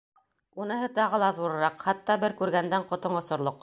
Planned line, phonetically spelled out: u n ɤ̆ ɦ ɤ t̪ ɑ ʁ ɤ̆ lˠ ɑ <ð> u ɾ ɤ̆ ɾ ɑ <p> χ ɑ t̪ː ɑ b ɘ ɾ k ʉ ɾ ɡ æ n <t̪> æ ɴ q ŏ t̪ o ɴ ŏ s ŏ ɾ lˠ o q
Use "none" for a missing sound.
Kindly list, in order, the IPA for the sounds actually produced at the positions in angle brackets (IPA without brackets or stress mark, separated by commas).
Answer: ð, q, d̪